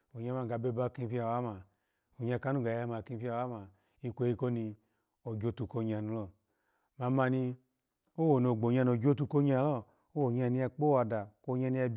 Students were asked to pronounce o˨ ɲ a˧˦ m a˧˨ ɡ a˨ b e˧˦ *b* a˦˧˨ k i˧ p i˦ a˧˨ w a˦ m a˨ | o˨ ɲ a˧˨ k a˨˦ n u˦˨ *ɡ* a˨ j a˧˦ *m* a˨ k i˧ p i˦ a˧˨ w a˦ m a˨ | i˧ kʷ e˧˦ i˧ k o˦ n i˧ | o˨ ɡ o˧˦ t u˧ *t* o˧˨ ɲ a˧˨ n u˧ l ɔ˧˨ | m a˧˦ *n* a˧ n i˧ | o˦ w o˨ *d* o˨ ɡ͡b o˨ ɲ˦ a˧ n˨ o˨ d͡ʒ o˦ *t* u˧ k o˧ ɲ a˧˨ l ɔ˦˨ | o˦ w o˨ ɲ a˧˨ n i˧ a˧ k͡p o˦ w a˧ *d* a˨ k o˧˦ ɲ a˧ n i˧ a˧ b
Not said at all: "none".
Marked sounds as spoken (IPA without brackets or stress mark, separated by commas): b, ɡ, m, k, m, n, t, d